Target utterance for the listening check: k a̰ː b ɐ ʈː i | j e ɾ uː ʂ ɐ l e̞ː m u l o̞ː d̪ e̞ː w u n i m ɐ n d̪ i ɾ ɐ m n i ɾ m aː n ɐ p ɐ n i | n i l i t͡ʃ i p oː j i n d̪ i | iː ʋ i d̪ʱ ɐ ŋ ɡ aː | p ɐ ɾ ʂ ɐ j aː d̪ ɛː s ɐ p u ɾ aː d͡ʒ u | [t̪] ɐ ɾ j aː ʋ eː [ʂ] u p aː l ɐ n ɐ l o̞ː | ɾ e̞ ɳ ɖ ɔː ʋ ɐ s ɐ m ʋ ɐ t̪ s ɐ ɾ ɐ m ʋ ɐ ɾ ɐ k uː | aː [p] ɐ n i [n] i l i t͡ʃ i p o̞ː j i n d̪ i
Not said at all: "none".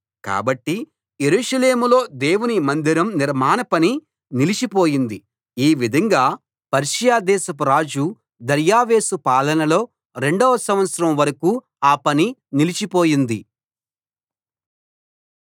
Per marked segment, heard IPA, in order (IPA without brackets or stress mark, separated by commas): d̪, s, p, n